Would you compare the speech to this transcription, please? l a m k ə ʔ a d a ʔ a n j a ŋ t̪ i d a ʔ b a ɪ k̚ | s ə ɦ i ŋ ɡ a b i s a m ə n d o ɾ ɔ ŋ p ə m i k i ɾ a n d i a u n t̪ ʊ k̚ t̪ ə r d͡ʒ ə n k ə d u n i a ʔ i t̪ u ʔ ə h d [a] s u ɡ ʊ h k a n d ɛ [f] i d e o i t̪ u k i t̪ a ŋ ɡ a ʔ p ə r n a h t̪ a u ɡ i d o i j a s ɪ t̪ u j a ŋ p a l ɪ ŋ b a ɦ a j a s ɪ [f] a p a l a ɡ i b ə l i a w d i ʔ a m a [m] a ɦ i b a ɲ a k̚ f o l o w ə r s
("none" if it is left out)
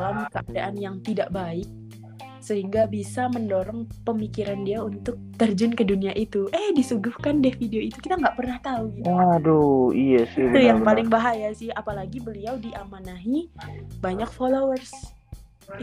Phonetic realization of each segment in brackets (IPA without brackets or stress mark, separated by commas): i, f, h, n